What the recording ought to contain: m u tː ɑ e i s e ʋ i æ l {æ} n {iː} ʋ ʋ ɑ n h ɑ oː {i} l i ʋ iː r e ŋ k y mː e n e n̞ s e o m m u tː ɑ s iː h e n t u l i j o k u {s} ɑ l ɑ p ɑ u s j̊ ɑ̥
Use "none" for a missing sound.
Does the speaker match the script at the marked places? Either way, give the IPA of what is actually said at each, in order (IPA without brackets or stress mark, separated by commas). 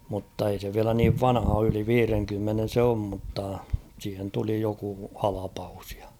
æ, iː, y, h